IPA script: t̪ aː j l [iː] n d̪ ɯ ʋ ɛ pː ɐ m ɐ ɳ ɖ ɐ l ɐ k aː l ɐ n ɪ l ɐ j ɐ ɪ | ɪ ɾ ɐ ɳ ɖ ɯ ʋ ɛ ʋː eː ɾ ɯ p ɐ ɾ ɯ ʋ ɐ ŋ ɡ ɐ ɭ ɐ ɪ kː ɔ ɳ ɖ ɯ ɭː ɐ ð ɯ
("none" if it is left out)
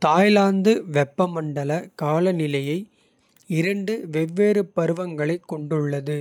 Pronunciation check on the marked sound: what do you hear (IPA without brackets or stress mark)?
aː